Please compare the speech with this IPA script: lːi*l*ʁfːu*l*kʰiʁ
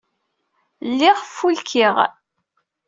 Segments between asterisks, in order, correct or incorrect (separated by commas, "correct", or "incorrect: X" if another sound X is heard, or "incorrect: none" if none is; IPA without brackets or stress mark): incorrect: none, correct